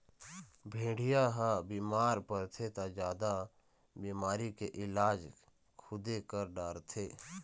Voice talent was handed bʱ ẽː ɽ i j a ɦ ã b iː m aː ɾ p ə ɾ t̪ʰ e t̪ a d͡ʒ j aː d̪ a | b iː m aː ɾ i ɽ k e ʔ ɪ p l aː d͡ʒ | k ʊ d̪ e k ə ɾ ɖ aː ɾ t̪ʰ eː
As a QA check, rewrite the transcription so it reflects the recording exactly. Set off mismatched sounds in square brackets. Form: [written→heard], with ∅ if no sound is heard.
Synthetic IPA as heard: bʱ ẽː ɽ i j a ɦ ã b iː m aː ɾ p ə ɾ t̪ʰ e t̪ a d͡ʒ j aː d̪ a | b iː m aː ɾ i [ɽ→∅] k e ʔ ɪ [p→∅] l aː d͡ʒ | [k→kʰ] ʊ d̪ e k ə ɾ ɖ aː ɾ t̪ʰ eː